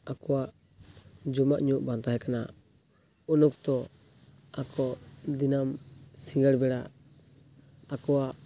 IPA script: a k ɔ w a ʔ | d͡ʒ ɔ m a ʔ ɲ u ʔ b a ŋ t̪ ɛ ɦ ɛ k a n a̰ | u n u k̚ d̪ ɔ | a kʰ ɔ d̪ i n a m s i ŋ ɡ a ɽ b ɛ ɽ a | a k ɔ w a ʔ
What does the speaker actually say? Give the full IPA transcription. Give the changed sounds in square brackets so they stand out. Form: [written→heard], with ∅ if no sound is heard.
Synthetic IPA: a k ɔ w a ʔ | d͡ʒ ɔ m a ʔ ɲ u ʔ b a [ŋ→n] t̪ [ɛ→a] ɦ ɛ k a n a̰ | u n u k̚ [d̪→t̪] ɔ | a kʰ ɔ d̪ i n a m s i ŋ ɡ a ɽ b ɛ ɽ a | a k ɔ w a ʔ

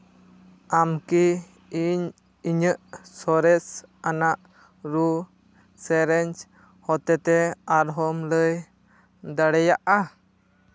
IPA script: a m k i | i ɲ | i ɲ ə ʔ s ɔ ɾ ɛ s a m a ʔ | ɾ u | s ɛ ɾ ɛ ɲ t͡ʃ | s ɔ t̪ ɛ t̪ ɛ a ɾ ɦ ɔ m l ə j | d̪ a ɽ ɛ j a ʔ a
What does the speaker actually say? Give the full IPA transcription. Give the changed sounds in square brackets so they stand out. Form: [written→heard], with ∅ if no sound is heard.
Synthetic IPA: a m k i | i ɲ | i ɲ ə ʔ s ɔ ɾ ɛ s a [m→n] a ʔ | ɾ u | s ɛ ɾ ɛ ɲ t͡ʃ | [s→h] ɔ t̪ ɛ t̪ ɛ a ɾ ɦ ɔ m l ə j | d̪ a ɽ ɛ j a ʔ a

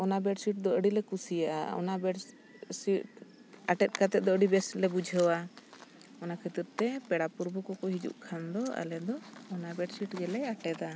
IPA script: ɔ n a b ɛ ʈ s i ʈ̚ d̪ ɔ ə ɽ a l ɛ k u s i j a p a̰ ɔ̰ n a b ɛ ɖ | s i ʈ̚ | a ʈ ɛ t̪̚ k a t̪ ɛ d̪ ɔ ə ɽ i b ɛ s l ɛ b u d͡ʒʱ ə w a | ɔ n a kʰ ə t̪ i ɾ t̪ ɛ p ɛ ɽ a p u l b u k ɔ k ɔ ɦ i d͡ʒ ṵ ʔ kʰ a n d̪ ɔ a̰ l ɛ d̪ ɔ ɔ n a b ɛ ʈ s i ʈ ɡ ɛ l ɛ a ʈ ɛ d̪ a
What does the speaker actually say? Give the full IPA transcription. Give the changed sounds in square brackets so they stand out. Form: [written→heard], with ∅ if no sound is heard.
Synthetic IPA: ɔ n a b ɛ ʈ s i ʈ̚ d̪ ɔ ə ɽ [a→i] l ɛ k u s i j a [p→ʔ] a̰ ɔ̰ n a b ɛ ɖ | s i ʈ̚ | a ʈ ɛ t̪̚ k a t̪ ɛ d̪ ɔ ə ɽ i b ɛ s l ɛ b u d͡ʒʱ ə w a | ɔ n a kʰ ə t̪ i ɾ t̪ ɛ p ɛ ɽ a p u [l→ɾ] b u k ɔ k ɔ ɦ i d͡ʒ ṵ ʔ kʰ a n d̪ ɔ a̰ l ɛ d̪ ɔ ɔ n a b ɛ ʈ s i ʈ ɡ ɛ l ɛ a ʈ ɛ d̪ a

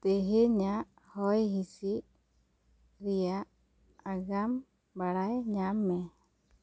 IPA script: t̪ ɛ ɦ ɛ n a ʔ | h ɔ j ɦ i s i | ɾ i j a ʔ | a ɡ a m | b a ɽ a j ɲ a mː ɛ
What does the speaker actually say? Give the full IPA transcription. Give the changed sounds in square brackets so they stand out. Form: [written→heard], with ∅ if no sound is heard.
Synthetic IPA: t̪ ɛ ɦ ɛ [n→ɲ] a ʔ | h ɔ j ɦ i s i | ɾ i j a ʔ | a ɡ a m | b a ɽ a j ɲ a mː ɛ

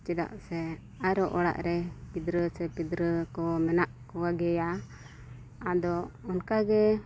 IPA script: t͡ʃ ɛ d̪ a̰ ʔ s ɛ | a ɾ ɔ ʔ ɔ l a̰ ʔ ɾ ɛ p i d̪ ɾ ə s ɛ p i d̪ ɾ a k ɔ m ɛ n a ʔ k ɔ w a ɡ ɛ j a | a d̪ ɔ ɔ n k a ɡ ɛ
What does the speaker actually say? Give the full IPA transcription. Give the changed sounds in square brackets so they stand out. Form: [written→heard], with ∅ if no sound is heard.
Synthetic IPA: t͡ʃ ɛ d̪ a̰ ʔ s ɛ | a ɾ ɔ ʔ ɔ [l→ɽ] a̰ ʔ ɾ ɛ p i d̪ ɾ ə s ɛ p i d̪ ɾ [a→ə] k ɔ m ɛ n a ʔ k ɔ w a ɡ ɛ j a | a d̪ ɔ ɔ n k a ɡ ɛ

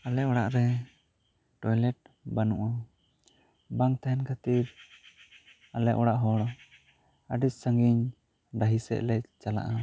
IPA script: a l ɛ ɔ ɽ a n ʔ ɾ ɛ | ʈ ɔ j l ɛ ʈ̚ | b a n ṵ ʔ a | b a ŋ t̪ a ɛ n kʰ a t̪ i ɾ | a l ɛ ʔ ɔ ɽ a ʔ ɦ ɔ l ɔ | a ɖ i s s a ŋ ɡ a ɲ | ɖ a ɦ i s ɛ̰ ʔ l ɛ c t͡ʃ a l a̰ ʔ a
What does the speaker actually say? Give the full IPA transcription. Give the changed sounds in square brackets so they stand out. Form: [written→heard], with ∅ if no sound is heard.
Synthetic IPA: a l ɛ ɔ ɽ a [n→∅] ʔ ɾ ɛ | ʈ ɔ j l ɛ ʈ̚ | b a n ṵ ʔ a | b a ŋ t̪ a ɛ n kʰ a t̪ i ɾ | a l ɛ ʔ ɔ ɽ a ʔ ɦ ɔ [l→ɽ] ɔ | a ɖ i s s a ŋ ɡ [a→i] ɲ | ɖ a ɦ i s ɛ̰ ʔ l ɛ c t͡ʃ a l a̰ ʔ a

